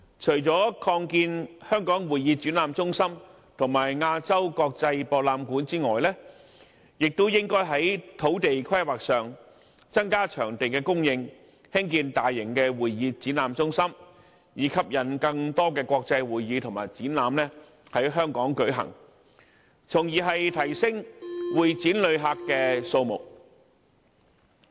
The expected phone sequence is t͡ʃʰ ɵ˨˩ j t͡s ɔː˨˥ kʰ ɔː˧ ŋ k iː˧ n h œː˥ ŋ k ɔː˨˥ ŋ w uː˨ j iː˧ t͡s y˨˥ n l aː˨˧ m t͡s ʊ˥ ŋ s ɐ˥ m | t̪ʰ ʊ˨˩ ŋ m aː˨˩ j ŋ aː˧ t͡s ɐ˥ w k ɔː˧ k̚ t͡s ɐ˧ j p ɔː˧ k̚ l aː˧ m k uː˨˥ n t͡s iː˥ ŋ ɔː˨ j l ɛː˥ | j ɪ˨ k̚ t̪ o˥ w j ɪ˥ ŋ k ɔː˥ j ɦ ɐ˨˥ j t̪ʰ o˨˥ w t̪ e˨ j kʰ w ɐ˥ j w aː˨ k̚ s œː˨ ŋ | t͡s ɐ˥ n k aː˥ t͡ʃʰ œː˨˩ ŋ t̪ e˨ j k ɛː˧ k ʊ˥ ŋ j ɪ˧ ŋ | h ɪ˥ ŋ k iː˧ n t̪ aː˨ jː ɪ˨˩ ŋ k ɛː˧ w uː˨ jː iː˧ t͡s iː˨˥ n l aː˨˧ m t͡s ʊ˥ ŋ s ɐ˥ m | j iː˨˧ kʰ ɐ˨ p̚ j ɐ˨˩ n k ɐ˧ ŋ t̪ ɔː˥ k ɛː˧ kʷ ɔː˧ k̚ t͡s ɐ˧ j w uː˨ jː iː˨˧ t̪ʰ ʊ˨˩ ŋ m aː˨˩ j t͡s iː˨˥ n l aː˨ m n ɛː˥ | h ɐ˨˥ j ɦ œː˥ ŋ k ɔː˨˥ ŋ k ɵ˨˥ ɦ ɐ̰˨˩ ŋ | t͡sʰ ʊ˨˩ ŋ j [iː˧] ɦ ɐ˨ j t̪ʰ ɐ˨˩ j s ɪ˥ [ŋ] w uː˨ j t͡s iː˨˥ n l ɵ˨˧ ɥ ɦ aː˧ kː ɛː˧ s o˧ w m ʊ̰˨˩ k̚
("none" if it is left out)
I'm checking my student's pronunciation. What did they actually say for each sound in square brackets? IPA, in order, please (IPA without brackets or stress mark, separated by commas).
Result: iː˨˩, ŋ